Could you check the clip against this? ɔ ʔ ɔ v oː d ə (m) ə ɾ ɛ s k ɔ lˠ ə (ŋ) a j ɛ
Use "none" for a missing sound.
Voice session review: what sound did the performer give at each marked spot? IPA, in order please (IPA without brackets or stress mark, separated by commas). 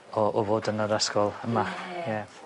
n, m